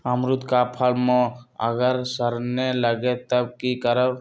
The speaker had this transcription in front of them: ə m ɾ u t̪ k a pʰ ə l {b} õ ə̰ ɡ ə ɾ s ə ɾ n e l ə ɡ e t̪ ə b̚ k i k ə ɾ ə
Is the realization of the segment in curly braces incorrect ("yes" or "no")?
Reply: yes